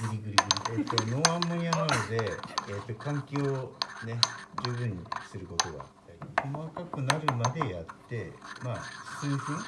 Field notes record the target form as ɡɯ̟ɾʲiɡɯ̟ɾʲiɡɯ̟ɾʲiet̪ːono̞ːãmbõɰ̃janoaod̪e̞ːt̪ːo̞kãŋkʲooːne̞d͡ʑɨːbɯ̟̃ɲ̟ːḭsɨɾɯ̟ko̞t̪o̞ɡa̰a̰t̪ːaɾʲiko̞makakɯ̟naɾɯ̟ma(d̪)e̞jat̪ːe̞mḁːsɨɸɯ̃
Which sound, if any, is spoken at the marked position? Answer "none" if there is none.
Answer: d̪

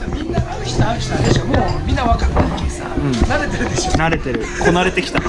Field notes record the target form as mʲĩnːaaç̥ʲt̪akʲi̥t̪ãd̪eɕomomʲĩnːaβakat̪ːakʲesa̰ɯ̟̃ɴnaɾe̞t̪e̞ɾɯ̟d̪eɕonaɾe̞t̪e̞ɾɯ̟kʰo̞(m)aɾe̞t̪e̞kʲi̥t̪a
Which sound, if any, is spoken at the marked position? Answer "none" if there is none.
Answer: n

